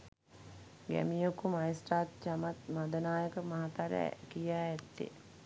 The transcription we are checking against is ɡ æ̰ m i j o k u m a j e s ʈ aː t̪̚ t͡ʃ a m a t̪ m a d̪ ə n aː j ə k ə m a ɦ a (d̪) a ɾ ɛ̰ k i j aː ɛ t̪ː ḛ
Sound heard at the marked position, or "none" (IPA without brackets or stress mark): t̪